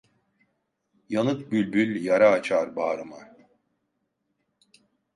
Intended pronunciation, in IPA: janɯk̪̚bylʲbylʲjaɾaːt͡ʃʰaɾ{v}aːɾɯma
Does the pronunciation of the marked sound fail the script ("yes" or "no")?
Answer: yes